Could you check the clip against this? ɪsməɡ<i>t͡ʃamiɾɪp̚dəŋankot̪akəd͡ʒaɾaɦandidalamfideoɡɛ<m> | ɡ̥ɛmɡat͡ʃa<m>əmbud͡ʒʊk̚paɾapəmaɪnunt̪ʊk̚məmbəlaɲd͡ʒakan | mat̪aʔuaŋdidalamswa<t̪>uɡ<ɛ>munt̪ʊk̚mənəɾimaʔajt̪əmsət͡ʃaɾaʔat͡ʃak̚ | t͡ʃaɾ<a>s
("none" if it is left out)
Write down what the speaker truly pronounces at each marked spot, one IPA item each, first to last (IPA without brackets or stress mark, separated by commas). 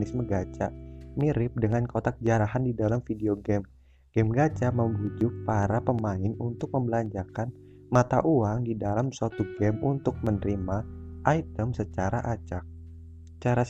a, m, m, t̪, ɛ, a